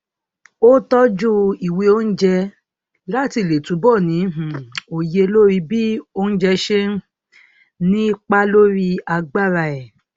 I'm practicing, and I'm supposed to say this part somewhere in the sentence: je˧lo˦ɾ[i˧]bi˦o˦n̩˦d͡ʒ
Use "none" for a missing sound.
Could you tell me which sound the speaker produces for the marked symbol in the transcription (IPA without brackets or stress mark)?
i˧